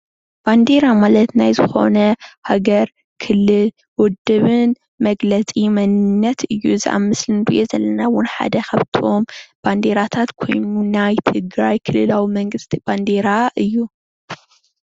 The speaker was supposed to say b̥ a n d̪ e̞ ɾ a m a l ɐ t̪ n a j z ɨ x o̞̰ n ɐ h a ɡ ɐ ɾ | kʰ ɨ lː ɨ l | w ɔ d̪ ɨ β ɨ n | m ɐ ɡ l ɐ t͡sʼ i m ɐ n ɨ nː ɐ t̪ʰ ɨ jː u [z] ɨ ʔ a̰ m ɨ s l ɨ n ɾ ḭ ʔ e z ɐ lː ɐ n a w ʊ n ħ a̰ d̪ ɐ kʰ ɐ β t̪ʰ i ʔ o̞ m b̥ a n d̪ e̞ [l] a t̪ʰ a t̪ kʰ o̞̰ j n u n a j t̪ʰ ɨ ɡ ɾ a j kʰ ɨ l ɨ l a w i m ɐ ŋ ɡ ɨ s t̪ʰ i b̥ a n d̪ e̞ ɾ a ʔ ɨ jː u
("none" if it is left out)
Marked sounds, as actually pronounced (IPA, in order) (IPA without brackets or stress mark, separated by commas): z, ɾ